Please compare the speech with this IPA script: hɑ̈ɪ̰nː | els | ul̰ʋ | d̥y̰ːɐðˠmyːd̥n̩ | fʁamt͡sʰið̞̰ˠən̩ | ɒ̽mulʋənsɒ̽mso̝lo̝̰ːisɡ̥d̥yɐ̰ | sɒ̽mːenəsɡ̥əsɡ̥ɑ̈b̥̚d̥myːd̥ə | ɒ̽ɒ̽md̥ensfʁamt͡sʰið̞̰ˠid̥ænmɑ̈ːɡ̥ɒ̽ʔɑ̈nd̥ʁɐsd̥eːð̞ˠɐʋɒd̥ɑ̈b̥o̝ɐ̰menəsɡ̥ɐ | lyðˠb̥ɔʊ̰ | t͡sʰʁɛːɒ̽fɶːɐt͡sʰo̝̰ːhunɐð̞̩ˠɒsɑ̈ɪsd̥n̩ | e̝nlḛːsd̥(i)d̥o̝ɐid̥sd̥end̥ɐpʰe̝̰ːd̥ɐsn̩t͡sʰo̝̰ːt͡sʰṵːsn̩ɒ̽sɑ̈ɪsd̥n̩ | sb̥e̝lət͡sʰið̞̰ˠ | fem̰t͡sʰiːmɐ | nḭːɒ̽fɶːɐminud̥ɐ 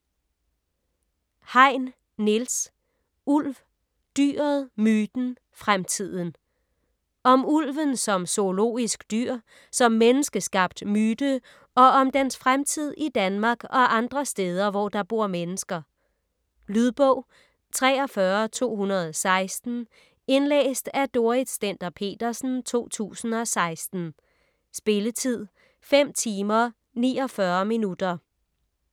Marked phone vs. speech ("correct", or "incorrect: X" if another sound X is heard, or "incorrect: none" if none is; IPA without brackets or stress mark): incorrect: æ